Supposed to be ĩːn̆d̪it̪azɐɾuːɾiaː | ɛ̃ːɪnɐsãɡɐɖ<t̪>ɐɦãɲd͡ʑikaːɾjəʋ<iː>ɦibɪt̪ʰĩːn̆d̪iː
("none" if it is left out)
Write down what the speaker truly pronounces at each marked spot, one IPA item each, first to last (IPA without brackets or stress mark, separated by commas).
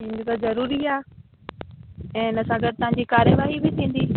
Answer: t̪, aː